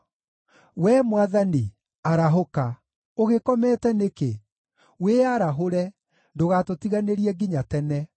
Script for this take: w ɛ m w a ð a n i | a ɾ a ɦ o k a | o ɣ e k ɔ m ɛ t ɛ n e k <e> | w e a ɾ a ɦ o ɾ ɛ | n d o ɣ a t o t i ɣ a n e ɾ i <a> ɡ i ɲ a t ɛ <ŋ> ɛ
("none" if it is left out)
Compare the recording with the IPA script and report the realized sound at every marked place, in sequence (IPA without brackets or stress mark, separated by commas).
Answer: e, ɛ, n